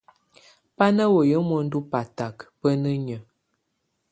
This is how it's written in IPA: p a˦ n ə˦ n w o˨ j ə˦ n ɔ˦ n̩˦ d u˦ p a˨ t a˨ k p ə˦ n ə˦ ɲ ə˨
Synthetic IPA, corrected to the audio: p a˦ n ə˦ w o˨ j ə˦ m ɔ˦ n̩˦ d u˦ p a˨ t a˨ k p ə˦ n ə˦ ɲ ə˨